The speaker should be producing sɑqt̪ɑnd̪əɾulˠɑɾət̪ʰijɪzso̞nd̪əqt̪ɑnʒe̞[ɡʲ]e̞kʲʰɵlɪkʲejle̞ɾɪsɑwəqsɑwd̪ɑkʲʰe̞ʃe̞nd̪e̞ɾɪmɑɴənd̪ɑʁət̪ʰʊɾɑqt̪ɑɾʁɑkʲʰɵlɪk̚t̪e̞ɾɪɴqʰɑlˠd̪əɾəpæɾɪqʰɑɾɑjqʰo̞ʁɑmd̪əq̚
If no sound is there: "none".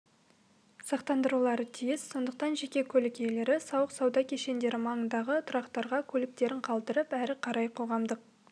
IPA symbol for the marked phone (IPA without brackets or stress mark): kʲ